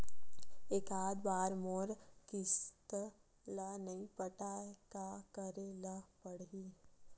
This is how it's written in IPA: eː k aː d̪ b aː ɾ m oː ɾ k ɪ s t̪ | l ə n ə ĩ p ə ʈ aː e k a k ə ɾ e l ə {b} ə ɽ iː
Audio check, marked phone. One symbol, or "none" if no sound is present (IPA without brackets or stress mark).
p